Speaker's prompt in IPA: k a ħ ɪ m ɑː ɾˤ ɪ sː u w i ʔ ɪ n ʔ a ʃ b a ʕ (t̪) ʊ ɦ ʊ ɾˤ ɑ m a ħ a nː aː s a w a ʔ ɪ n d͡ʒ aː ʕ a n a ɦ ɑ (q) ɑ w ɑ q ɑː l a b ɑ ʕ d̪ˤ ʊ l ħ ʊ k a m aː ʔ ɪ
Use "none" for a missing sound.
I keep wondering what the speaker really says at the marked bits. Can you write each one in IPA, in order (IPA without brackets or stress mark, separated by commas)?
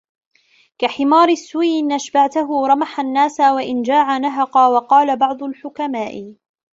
t̪, q